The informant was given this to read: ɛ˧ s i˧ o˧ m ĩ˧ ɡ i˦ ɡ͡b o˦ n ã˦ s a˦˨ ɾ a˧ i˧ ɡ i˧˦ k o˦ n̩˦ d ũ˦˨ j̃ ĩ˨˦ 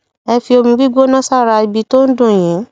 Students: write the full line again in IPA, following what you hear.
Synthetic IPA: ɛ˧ f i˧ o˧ m ĩ˧ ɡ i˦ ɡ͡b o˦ n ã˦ s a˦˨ ɾ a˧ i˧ b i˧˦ t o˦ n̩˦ d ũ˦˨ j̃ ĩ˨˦